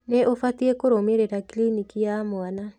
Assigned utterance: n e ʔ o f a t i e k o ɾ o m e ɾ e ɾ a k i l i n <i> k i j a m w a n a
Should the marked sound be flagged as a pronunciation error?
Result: no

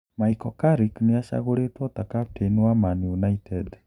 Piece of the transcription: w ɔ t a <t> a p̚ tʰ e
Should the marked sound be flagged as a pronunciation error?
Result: yes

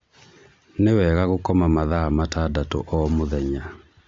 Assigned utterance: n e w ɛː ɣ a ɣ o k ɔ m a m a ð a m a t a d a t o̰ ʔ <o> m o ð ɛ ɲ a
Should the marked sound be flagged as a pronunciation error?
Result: yes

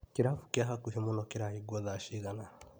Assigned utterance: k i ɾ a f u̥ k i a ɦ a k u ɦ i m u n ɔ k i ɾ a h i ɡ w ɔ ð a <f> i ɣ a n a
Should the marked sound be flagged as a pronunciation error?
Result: yes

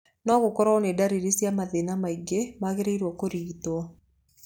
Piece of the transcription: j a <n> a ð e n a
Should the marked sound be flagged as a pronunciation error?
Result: yes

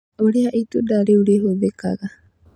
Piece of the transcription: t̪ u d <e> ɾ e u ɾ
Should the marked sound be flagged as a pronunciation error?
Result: yes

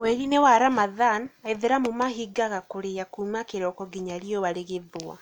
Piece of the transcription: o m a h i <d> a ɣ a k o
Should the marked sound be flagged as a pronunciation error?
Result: yes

